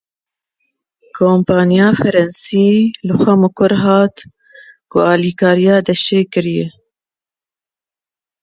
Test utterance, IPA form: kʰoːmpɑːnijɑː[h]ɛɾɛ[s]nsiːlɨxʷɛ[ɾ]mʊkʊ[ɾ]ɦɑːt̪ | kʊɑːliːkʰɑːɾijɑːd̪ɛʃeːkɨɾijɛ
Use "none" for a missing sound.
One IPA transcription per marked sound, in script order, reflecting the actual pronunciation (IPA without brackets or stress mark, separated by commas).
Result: f, none, none, ɾ